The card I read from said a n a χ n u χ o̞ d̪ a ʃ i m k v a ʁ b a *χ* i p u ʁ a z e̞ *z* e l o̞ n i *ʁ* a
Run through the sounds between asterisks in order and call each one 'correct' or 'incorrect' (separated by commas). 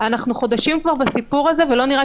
incorrect, incorrect, correct